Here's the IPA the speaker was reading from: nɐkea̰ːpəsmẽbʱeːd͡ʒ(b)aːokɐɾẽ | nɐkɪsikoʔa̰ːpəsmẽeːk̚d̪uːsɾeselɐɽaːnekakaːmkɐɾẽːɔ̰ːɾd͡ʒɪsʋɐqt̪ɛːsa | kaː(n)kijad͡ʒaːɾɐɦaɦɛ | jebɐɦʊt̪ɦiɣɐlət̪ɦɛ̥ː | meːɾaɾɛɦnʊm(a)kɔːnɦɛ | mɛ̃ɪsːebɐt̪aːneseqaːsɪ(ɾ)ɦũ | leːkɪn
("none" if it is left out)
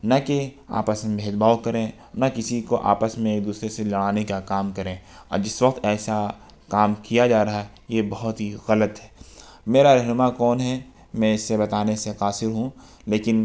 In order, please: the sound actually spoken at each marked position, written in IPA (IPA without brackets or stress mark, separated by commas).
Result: b, m, a, ɾ